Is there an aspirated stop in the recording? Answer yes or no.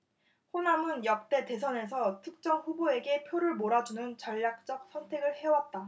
yes